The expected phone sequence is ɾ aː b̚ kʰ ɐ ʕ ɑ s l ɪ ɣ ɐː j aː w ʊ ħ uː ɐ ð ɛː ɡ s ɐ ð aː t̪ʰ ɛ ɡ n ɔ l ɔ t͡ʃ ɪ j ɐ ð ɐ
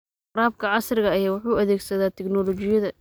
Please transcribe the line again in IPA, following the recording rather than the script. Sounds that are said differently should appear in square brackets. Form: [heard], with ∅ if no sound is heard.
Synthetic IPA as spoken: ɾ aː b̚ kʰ ɐ ʕ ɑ s [r] ɪ ɣ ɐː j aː w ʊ ħ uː ɐ ð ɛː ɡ s ɐ ð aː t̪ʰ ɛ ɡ n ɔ l ɔ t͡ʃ ɪ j ɐ ð ɐ